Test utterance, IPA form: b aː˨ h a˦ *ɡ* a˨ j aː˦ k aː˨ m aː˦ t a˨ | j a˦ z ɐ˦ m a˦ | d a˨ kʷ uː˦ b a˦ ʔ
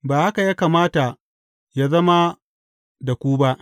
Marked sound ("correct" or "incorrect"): incorrect